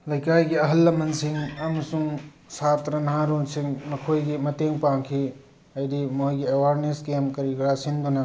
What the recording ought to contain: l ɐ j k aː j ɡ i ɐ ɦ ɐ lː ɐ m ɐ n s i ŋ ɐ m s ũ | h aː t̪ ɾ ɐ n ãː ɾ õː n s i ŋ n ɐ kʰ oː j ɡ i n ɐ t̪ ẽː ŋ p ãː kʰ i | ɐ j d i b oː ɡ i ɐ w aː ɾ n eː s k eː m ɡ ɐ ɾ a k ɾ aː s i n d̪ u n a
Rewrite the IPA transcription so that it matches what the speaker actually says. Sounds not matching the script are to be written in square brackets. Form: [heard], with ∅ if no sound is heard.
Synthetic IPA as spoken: l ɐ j k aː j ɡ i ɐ ɦ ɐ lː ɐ m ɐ n s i ŋ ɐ m s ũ | [s] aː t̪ ɾ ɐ n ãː ɾ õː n s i ŋ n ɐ kʰ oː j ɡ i [m] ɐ t̪ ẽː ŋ p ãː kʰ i | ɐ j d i [m] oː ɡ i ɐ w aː ɾ n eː s k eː m [k] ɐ ɾ [i] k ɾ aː s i n d̪ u n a